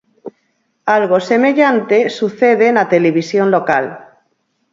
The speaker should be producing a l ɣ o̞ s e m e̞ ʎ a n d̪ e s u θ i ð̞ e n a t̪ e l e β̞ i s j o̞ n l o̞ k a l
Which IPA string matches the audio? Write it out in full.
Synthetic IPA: a l ɣ o̞ s e m e̞ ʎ a n t̪ e s u θ e ð̞ e n a t̪ e l e β̞ i s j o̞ n l o̞ k a l